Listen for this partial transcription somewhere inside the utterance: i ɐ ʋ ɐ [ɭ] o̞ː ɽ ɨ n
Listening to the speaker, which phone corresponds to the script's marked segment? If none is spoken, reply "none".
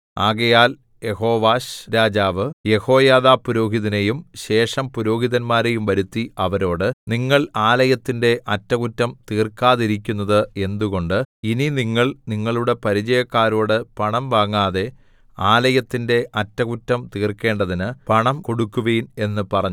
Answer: ɾ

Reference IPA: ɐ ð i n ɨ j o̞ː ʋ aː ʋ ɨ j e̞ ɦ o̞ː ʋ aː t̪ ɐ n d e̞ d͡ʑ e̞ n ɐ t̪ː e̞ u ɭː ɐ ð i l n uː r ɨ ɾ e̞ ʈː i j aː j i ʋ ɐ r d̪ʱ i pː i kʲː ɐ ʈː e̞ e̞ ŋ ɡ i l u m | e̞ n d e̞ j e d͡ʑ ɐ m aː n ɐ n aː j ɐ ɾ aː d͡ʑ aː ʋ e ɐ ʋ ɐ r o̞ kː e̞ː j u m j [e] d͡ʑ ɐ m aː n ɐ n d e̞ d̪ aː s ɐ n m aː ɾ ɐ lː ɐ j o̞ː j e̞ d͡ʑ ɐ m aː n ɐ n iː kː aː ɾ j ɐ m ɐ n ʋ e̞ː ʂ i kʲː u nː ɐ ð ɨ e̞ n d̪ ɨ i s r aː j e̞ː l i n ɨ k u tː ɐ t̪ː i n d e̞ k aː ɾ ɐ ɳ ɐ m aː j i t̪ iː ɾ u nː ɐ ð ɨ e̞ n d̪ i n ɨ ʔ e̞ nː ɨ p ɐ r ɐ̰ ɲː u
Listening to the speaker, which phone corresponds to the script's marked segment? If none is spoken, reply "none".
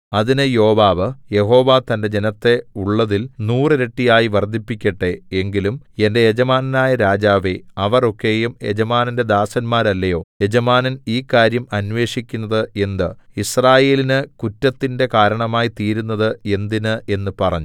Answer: e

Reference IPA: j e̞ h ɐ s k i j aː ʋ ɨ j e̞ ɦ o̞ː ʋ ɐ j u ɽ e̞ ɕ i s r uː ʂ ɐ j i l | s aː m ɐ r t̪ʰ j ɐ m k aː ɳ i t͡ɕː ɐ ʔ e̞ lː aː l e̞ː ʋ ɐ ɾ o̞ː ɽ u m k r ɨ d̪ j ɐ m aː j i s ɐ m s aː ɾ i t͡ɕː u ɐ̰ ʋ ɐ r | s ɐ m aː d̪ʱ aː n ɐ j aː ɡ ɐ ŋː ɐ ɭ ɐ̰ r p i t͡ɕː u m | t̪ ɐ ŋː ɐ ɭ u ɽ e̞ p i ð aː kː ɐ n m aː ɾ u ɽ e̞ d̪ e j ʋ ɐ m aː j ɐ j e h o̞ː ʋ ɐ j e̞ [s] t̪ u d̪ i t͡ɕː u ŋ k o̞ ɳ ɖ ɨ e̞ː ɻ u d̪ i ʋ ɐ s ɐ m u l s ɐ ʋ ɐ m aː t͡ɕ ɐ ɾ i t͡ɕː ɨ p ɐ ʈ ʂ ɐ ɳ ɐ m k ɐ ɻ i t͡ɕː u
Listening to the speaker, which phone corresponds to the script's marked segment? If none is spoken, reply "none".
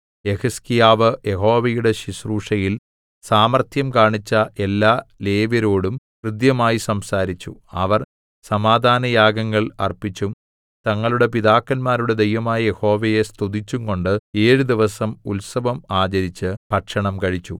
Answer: s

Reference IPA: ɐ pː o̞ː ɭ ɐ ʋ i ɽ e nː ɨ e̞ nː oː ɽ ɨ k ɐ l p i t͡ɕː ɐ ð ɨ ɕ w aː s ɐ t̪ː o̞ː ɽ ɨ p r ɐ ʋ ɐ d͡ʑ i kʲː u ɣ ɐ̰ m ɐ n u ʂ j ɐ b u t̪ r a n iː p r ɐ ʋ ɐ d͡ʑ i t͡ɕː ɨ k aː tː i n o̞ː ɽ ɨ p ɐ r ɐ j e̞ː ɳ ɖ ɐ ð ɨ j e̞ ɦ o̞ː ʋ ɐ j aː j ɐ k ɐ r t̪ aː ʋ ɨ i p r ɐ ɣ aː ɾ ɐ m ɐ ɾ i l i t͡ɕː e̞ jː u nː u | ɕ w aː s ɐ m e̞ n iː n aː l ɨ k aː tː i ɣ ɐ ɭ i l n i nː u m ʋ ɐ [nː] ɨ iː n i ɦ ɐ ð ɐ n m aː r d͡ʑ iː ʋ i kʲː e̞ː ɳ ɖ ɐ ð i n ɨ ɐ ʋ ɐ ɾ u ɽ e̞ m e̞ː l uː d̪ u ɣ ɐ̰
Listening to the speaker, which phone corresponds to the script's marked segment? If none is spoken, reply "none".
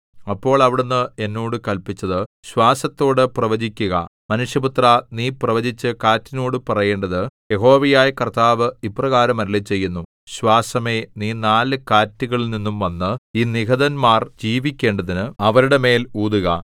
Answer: nː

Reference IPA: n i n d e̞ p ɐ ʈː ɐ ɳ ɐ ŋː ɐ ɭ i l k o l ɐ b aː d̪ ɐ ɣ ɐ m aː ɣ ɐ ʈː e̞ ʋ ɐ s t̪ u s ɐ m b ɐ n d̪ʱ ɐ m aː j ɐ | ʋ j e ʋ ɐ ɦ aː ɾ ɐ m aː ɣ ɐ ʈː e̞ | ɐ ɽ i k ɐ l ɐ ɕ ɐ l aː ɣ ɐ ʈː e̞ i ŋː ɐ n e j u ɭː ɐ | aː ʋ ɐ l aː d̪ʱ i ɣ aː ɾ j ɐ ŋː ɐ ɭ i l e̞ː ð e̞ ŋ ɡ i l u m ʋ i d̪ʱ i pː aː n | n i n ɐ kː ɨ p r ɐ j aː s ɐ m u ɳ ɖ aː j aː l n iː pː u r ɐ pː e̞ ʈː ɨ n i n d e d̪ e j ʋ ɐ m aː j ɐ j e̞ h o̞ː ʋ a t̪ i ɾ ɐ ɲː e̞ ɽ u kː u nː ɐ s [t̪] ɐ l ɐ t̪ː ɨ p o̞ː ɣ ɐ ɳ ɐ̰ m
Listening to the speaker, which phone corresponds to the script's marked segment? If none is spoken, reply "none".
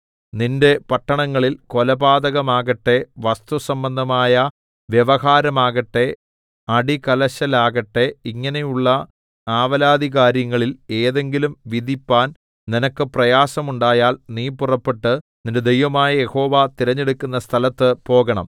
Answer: t̪ʰ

